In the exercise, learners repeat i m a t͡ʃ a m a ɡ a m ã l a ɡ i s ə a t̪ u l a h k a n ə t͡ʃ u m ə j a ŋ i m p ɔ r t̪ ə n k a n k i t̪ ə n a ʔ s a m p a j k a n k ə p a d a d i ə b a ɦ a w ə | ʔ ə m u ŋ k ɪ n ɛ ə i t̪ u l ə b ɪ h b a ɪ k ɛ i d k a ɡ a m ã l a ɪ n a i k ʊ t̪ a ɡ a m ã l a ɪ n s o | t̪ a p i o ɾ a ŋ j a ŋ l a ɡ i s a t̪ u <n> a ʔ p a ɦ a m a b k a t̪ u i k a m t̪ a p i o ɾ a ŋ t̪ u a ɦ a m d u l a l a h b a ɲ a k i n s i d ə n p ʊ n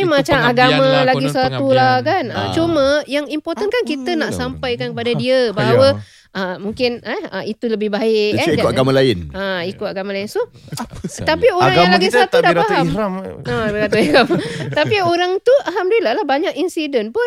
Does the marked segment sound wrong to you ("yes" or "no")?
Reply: yes